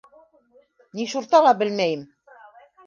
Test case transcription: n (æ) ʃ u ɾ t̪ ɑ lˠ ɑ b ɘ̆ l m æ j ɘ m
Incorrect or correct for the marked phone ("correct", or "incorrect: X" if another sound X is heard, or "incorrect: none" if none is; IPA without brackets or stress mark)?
incorrect: i